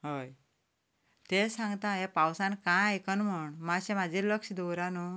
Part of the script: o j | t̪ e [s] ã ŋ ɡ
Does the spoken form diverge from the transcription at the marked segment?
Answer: no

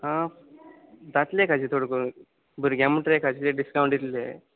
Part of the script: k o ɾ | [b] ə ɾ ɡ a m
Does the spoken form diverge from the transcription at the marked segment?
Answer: no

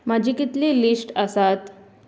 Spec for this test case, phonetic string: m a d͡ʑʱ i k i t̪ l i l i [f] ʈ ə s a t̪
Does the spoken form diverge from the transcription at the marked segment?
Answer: yes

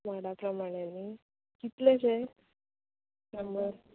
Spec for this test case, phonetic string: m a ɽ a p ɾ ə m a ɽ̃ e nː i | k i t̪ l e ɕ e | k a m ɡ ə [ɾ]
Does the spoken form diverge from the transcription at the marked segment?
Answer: no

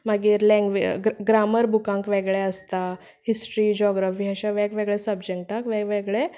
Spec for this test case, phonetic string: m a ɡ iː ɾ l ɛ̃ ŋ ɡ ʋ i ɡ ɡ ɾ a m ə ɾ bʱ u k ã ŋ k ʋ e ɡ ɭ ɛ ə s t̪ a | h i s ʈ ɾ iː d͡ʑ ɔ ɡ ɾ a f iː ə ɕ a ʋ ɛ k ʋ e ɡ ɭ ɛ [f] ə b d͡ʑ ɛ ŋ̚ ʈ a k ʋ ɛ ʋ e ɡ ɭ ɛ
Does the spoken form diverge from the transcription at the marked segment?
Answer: yes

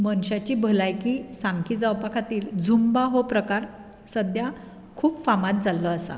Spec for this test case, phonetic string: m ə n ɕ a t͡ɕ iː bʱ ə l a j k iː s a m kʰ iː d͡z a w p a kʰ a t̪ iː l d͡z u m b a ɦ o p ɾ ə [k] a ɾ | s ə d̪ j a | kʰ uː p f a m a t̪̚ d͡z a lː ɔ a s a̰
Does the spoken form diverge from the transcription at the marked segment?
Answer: no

